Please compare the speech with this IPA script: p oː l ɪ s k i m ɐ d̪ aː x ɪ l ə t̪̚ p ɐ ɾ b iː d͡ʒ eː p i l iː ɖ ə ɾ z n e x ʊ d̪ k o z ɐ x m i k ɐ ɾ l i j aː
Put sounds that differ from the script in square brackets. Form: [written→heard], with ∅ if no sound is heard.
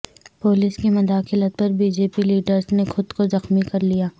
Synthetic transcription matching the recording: p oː l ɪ s k i m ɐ d̪ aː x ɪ l ə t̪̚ p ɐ ɾ b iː d͡ʒ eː p i l iː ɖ ə ɾ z n e x ʊ d̪ k o z ɐ x m i k ɐ ɾ l i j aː